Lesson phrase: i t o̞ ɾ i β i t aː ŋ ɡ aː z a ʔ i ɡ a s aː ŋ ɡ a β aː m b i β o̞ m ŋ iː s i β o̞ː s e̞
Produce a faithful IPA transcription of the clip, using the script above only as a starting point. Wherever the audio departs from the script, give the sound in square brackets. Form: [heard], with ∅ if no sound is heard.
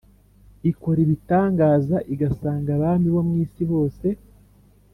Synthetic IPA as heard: i [k] o̞ ɾ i β i t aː ŋ ɡ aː z a ʔ i ɡ a s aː ŋ ɡ a β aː m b i β o̞ m ŋ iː s i β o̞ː s e̞